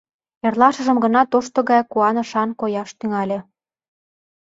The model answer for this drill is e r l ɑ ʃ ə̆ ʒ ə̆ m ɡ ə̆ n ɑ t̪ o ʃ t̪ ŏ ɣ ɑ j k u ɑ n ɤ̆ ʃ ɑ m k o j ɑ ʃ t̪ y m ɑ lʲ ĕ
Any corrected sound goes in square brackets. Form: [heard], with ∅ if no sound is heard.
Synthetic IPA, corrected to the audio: e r l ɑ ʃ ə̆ ʒ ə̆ m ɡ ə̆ n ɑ t̪ o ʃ t̪ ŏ ɣ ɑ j k u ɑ n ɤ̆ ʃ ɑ [n] k o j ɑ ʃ t̪ y [ŋ] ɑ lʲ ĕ

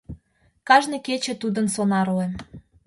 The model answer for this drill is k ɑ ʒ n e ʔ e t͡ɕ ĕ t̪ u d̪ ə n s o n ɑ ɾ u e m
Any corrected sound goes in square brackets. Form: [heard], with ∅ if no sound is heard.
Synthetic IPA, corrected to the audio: k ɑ ʒ n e [k] e t͡ɕ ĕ t̪ u d̪ ə n s o n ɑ ɾ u e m

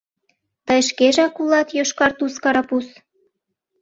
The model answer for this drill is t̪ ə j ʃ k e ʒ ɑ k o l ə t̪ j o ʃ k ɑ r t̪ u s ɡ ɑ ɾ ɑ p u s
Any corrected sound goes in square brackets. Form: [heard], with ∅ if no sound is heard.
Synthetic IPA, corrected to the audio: t̪ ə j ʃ k e ʒ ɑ k [u] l [ɑ] t̪ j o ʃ k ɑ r t̪ u s [k] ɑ ɾ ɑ p u s

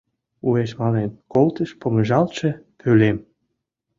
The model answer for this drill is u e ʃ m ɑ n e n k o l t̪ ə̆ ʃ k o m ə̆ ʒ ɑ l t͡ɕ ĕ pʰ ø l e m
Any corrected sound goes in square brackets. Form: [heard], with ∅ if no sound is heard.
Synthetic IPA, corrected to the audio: u e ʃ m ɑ n e n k o l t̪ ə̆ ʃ [p] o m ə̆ ʒ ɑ l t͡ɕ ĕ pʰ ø l e m

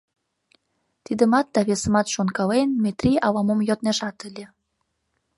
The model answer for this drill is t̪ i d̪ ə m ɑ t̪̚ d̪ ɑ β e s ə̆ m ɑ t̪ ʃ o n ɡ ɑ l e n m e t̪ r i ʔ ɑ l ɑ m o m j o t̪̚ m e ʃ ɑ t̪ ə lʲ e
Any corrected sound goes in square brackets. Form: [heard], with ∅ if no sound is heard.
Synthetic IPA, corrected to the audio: t̪ i d̪ ə m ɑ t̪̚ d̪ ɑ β e s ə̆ m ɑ t̪ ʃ o n [k] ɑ l e n m e t̪ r i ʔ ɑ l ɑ m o m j o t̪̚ [n] e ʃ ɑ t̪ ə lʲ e

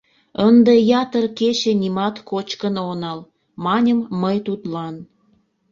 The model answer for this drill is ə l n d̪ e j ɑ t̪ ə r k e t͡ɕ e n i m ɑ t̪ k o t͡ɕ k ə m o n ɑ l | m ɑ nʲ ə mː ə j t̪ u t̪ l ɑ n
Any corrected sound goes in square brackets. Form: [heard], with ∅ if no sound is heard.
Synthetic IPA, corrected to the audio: ə [∅] n d̪ e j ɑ t̪ ə r k e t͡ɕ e n i m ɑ t̪ k o t͡ɕ k ə [n] o n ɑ l | m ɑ nʲ ə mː ə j t̪ u t̪ l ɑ n

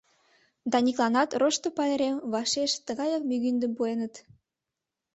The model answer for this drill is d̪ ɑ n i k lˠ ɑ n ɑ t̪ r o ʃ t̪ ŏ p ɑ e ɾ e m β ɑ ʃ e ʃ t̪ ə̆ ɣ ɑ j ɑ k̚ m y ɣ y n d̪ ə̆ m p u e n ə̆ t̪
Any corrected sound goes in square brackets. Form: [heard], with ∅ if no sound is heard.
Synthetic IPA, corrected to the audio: d̪ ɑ n i k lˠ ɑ n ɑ t̪ r o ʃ t̪ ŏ p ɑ e ɾ e m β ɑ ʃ e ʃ t̪ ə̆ ɣ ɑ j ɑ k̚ m y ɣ y n d̪ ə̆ m p u e n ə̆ t̪

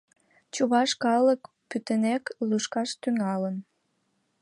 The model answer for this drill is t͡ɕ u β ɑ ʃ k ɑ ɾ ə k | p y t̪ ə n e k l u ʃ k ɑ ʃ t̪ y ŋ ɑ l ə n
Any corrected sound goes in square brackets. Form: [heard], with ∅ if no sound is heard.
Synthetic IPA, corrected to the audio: t͡ɕ u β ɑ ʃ k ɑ [l] ə k | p y t̪ ə n e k l u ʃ k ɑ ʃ t̪ y ŋ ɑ l ə n

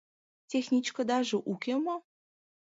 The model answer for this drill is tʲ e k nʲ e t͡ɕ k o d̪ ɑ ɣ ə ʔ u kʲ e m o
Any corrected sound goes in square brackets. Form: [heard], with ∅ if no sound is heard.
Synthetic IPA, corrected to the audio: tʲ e [x] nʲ [i] t͡ɕ k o d̪ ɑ [ʒ] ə ʔ u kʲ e m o

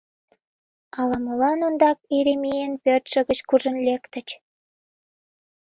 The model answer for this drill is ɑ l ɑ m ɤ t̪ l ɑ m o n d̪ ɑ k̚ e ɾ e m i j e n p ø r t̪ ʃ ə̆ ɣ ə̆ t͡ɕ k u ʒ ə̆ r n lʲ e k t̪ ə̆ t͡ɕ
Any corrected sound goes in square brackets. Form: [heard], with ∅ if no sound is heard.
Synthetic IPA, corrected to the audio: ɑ l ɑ m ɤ [∅] l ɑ [n] o n d̪ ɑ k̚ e ɾ e m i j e n p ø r t̪ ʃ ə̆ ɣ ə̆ t͡ɕ k u ʒ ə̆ [∅] n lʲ e k t̪ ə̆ t͡ɕ

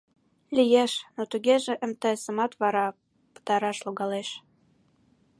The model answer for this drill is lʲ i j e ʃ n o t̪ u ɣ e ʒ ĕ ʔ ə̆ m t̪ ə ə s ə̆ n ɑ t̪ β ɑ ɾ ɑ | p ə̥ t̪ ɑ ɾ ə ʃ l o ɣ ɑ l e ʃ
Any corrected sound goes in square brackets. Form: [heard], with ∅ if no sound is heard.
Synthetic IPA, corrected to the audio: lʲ i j e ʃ n o t̪ u ɣ e ʒ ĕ ʔ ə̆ m t̪ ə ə s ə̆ [m] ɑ t̪ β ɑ ɾ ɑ | p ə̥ t̪ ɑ ɾ [ɑ] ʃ l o ɣ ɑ l e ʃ

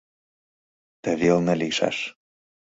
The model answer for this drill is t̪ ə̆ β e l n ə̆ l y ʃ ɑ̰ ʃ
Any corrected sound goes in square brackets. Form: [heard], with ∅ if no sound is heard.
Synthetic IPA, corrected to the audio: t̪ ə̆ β e l n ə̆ l [i] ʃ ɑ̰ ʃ

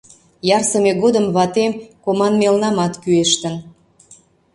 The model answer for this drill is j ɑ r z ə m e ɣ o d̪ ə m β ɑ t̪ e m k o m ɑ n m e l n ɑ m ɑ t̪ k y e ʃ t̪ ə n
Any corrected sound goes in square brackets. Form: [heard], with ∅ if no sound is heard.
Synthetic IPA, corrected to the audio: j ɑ r [s] ə m e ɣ o d̪ ə m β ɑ t̪ e m k o m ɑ n m e l n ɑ m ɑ t̪ k y e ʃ t̪ ə n

